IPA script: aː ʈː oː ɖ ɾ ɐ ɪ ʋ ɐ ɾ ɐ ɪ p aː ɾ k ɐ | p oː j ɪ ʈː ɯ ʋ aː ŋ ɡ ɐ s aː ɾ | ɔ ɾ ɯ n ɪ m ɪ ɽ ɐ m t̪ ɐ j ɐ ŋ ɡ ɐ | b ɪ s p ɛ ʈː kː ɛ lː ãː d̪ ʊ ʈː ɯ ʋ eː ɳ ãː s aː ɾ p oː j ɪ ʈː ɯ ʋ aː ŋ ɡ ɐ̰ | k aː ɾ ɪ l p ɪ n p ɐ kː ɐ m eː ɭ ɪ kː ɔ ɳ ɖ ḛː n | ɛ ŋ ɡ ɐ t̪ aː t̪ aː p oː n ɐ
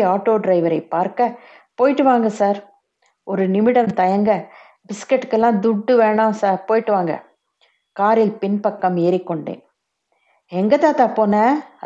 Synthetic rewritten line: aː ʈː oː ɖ ɾ ɐ ɪ ʋ ɐ ɾ ɐ ɪ p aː ɾ k ɐ | p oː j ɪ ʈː ɯ ʋ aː ŋ ɡ ɐ s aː ɾ | ɔ ɾ ɯ n ɪ m ɪ ɽ ɐ m t̪ ɐ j ɐ ŋ ɡ ɐ | b ɪ s k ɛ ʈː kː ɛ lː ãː d̪ ʊ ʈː ɯ ʋ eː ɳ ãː s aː ɾ p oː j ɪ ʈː ɯ ʋ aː ŋ ɡ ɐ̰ | k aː ɾ ɪ l p ɪ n p ɐ kː ɐ m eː ɾ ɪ kː ɔ ɳ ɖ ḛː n | ɛ ŋ ɡ ɐ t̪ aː t̪ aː p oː n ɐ